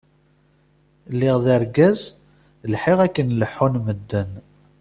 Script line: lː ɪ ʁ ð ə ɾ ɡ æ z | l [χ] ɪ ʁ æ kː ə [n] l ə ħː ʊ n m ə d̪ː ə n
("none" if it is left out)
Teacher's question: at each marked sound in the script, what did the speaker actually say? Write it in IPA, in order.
ħ, n

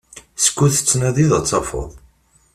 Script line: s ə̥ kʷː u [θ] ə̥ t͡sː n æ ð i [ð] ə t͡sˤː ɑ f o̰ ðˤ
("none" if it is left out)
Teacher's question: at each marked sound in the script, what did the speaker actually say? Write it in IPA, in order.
θ, ð

